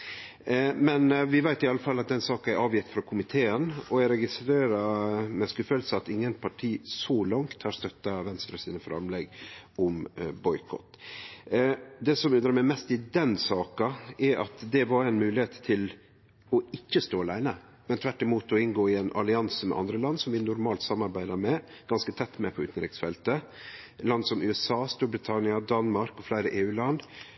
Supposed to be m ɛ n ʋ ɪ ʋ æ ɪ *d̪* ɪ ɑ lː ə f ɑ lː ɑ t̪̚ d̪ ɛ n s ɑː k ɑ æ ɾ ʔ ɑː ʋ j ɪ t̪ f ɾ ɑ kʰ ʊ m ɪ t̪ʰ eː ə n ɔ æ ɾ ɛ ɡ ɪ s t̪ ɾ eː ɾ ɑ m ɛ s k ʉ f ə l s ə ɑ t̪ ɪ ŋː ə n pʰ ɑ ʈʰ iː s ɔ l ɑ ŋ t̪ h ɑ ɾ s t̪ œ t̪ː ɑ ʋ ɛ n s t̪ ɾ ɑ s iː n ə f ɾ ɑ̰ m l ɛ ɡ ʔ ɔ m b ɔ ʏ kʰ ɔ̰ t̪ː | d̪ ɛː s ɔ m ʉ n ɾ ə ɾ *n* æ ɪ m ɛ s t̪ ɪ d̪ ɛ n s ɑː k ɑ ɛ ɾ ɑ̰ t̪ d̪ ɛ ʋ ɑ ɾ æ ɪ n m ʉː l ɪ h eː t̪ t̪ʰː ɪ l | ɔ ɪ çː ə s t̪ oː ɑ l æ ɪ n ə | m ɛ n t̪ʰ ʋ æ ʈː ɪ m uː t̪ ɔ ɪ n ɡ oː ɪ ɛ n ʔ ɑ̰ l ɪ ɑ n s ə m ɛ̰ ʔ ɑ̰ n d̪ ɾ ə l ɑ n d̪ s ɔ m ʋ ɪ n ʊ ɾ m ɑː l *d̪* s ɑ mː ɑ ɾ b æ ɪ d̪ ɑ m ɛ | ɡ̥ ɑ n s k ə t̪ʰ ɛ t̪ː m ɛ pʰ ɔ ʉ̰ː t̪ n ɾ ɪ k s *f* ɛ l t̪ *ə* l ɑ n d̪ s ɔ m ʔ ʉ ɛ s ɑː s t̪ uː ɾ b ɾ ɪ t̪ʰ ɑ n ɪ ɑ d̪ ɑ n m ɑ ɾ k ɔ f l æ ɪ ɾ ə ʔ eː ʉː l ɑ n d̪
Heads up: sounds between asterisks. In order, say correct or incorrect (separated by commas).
incorrect, incorrect, incorrect, correct, correct